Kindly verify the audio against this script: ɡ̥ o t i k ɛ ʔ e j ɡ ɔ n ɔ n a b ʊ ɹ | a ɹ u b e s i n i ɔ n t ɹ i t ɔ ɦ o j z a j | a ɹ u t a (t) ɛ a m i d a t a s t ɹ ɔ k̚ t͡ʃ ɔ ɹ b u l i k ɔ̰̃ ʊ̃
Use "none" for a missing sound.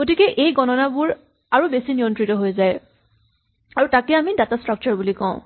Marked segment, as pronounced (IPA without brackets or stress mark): k